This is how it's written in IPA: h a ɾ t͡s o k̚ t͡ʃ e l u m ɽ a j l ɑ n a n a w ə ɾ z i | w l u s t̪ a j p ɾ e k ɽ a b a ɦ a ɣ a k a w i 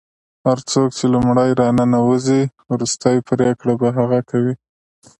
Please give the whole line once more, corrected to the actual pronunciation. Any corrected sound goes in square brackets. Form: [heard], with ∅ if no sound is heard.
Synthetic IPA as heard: h a ɾ t͡s o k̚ t͡ʃ e l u m ɽ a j [ɾ] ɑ n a n a w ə [∅] z i | w [ɾ] u s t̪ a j p ɾ e k ɽ a b a ɦ a ɣ a k a w i